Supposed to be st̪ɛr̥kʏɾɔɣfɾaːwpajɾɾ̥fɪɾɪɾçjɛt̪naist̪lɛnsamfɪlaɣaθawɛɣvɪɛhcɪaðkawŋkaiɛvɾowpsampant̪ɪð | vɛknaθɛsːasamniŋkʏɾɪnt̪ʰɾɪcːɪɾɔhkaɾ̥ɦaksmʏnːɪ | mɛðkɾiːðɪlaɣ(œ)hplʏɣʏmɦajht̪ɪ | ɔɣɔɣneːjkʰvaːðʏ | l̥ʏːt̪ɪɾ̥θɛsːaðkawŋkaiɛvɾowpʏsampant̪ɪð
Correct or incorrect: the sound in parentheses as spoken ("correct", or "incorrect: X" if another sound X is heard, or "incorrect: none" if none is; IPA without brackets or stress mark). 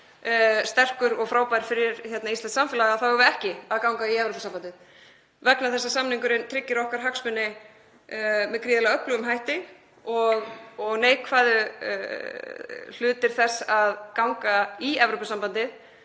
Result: correct